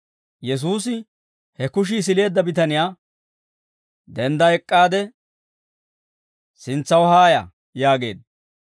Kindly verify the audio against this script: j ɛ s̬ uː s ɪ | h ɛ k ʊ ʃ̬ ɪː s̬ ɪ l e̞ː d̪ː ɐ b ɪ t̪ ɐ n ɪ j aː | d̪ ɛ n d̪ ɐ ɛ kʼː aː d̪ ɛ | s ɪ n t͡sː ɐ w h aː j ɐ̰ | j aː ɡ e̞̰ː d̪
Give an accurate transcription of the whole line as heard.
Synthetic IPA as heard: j ɛ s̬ uː s ɪ | h ɛ k ʊ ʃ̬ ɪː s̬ ɪ l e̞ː d̪ː ɐ b ɪ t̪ ɐ n ɪ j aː | d̪ ɛ n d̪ ɐ ɛ kʼː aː d̪ ɛ | s ɪ n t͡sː ɐ w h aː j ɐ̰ | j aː ɡ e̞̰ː d̪